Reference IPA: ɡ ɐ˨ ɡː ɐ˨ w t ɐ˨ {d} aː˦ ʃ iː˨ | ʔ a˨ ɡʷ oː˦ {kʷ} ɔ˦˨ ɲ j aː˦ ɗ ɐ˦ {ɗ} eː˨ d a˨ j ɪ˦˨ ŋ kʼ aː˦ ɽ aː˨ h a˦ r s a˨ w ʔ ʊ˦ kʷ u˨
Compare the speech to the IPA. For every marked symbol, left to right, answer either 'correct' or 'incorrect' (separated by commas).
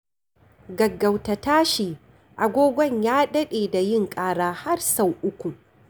incorrect, incorrect, correct